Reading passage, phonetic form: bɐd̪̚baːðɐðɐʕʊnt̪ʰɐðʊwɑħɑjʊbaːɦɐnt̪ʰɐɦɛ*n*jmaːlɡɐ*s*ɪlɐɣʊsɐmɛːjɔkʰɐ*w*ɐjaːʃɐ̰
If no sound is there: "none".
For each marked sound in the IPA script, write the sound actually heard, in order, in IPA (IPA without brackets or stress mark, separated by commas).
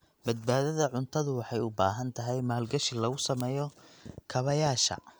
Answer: none, ʃ, β